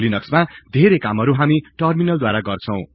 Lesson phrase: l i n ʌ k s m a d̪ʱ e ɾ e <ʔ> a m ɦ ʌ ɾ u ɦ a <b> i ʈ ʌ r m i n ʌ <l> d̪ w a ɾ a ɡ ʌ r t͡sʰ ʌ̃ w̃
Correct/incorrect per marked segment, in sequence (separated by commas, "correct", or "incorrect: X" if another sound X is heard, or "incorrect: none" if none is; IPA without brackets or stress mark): incorrect: k, incorrect: m, correct